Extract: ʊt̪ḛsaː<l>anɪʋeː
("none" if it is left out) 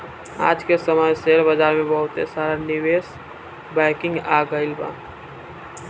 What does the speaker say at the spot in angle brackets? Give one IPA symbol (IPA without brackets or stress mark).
ɾ